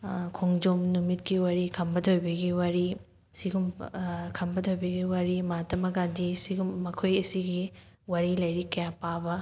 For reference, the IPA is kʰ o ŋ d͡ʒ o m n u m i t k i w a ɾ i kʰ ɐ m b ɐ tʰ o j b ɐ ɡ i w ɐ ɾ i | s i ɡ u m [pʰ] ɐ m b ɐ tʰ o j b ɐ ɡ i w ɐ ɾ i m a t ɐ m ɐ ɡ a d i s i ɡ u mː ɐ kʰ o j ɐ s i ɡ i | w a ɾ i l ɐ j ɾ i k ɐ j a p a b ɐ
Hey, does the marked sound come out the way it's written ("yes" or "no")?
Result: no